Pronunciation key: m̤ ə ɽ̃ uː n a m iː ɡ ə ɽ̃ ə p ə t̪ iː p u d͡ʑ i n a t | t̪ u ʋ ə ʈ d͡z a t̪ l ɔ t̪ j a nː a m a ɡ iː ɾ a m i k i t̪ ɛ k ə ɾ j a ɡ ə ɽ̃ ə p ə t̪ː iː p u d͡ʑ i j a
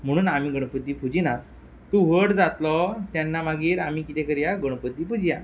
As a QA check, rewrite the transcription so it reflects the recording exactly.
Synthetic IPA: m̤ ə ɽ̃ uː n a m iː ɡ ə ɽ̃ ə p ə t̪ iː p u d͡ʑ i n a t | t̪ u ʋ ə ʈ d͡z a t̪ l ɔ t̪ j a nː a m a ɡ iː ɾ a m i k i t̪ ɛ k ə ɾ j a ɡ ə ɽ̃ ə p ə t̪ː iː p u d͡ʑ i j a